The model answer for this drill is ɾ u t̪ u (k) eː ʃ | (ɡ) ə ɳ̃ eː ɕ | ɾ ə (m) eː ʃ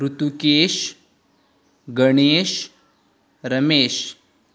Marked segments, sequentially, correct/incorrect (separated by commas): correct, correct, correct